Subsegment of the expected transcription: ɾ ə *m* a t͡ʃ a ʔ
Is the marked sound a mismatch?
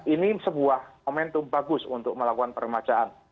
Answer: no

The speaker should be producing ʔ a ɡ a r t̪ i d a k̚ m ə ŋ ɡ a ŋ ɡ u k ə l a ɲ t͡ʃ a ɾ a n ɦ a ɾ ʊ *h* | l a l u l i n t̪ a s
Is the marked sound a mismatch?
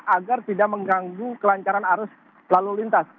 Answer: yes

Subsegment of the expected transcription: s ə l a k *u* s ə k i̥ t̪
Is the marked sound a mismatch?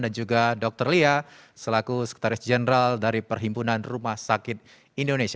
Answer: no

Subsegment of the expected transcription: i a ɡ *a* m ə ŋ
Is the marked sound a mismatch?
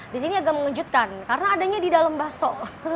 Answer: no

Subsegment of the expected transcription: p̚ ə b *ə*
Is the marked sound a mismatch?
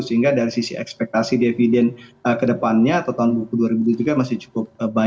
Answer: yes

